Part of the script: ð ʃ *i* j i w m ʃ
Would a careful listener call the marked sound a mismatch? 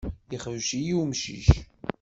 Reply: no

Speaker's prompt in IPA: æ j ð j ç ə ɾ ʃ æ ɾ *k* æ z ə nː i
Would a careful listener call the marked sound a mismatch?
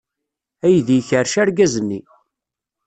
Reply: yes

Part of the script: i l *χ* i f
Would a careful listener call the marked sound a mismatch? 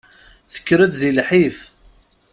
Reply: yes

